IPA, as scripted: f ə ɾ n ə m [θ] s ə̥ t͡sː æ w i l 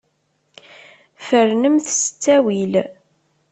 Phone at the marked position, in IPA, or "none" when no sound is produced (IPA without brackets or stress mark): θ